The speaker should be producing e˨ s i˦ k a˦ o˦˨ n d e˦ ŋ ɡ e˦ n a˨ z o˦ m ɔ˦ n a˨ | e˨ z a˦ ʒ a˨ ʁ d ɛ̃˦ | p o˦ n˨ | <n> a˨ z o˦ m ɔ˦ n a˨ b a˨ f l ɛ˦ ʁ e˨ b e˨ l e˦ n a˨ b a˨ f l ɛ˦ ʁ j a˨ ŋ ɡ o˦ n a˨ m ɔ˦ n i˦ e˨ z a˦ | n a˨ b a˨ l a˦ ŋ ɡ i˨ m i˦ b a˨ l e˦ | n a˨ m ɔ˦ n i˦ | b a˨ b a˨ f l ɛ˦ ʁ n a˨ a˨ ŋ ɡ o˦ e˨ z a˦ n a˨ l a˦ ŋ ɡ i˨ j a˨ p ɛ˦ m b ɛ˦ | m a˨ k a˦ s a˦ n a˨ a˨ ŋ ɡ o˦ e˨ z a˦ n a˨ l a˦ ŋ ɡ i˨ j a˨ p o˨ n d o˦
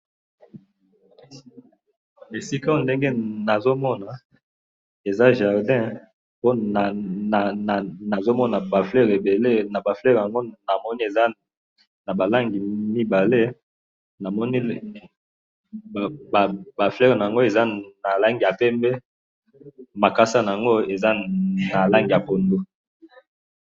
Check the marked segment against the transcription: correct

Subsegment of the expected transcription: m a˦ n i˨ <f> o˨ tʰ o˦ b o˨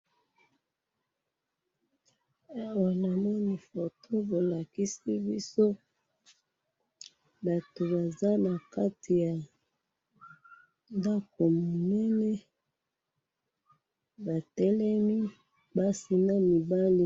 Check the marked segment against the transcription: correct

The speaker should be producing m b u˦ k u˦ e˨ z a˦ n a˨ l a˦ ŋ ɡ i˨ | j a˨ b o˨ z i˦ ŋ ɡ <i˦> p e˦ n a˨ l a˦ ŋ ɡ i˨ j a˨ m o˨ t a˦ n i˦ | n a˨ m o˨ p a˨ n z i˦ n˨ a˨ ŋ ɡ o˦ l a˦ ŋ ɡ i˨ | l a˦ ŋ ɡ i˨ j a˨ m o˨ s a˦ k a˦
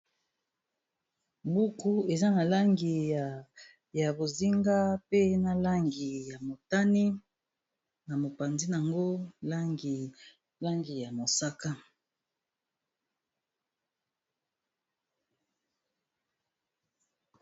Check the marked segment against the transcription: incorrect: a˦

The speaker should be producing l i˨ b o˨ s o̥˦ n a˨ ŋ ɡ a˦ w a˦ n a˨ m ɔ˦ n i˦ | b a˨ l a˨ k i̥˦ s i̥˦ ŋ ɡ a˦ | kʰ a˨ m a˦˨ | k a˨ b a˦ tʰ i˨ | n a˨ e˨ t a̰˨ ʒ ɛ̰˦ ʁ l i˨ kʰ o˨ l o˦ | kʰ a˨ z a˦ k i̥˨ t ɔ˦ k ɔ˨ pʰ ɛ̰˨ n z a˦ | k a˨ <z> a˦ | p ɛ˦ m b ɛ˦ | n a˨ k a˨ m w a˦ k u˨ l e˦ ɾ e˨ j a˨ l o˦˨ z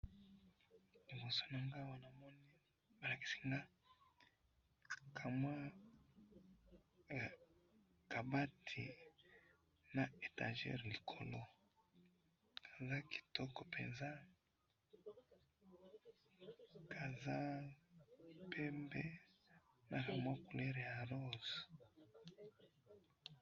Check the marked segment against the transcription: correct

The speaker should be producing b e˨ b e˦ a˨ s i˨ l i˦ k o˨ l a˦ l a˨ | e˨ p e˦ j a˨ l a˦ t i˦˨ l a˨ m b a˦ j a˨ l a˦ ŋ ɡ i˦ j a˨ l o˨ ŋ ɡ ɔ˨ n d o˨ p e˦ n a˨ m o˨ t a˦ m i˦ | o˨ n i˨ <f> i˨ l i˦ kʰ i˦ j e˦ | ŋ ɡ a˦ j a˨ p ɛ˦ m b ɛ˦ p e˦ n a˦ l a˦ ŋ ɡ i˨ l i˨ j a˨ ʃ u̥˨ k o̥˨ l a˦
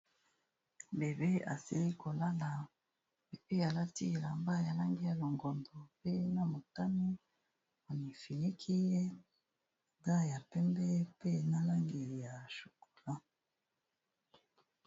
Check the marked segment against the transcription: correct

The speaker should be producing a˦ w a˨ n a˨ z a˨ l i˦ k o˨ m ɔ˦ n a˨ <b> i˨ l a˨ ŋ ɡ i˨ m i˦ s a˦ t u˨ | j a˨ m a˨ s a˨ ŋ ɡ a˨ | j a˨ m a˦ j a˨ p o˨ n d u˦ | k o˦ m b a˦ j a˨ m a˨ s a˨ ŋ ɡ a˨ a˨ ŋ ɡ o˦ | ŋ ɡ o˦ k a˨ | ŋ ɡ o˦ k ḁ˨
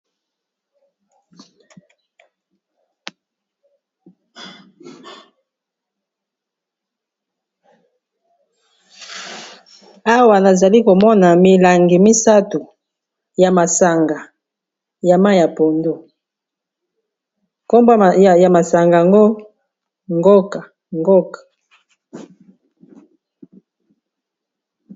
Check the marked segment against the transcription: incorrect: m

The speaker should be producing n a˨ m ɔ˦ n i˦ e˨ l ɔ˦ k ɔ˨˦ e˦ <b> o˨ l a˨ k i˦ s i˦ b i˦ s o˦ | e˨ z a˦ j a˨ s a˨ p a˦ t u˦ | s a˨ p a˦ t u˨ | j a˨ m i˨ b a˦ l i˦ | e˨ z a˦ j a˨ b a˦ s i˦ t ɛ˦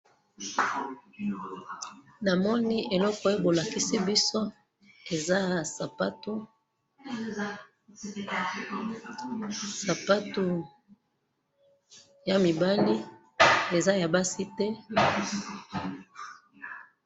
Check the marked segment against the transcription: correct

